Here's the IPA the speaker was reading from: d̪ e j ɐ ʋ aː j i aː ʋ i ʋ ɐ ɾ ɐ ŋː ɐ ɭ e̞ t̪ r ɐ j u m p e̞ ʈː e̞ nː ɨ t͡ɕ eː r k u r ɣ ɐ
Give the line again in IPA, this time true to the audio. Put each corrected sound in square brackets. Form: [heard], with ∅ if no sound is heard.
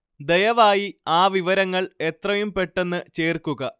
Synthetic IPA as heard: d̪ e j ɐ ʋ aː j i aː ʋ i ʋ ɐ ɾ ɐ ŋː ɐ ɭ e̞ t̪ r ɐ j u m p e̞ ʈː e̞ nː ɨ t͡ɕ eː r k u [∅] ɣ ɐ